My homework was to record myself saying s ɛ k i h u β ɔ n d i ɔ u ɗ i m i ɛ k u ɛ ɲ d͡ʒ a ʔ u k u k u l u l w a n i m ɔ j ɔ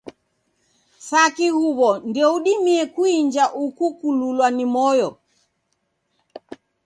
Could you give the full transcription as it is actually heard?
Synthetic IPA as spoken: s a k i h u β ɔ n d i ɔ u ɗ i m i ɛ k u i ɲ d͡ʒ a ʔ u k u k u l u l w a n i m ɔ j ɔ